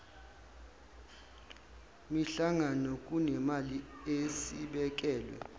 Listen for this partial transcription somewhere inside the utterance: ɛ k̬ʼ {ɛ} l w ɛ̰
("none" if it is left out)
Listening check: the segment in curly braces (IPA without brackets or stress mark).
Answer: ɛː